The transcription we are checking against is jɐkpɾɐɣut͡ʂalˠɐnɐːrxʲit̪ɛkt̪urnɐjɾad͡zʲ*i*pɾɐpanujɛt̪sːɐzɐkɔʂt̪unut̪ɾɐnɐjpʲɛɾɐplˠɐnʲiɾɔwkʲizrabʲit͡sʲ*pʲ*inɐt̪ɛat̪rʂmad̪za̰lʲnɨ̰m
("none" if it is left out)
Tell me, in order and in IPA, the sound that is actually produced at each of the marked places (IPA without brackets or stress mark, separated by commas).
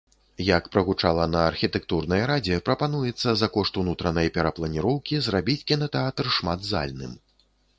ɛ, kʲ